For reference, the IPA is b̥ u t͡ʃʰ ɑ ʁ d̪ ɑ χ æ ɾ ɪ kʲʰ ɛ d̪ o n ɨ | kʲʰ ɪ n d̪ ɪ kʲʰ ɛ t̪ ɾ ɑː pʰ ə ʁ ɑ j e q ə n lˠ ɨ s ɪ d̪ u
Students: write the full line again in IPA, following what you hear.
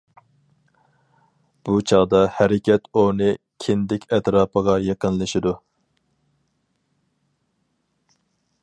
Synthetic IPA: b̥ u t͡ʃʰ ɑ ʁ d̪ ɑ h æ ɾ ɪ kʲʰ ɛ t̪ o n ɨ | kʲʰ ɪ n d̪ ɪ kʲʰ ɛ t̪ ɾ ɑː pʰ ə ʁ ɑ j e q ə n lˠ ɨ ʃ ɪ d̪ u